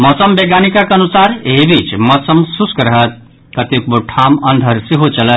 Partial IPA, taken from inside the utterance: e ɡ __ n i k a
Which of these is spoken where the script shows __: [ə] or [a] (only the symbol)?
a